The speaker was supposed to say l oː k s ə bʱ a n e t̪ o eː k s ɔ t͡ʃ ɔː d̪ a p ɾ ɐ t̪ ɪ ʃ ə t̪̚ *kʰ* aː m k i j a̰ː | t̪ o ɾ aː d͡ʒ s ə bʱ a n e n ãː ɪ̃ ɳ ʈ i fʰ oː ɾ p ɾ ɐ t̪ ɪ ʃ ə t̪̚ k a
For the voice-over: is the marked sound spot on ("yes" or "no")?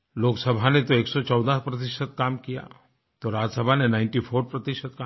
no